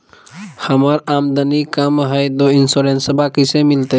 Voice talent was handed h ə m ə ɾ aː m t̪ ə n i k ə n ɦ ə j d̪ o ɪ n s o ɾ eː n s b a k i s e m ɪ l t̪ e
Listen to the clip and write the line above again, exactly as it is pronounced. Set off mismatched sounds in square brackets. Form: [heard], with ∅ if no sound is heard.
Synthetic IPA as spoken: h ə m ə ɾ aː m [d̪] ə n i k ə [m] ɦ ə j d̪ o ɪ n s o ɾ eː n s b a k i s e m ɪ l t̪ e